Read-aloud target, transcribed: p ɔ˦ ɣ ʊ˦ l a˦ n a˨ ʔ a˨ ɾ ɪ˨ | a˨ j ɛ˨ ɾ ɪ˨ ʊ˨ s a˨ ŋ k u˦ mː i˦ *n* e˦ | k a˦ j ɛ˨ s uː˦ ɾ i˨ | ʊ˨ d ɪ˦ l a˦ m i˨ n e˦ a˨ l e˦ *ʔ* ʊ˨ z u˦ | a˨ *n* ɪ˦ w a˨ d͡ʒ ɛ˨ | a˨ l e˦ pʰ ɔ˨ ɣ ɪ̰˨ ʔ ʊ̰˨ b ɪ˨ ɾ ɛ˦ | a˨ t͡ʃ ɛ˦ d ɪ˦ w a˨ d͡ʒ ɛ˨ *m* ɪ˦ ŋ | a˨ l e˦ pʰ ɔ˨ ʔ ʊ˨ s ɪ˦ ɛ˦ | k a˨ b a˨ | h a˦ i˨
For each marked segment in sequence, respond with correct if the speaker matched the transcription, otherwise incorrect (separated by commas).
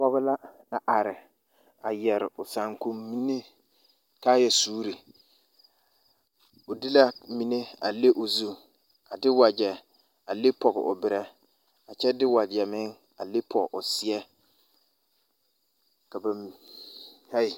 correct, correct, incorrect, correct